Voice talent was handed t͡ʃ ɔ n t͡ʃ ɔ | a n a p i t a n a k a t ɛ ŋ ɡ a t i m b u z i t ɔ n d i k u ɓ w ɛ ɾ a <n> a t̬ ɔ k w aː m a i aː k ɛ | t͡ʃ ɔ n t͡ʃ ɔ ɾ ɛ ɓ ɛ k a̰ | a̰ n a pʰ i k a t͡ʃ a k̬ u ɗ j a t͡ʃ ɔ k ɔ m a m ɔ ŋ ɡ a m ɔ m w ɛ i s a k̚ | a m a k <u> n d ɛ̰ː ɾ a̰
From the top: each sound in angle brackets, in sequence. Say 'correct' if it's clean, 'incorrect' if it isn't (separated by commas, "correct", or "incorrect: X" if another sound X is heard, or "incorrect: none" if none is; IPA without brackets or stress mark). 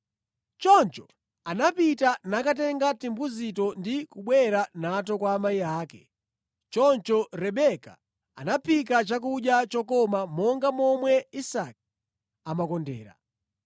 correct, incorrect: ɔ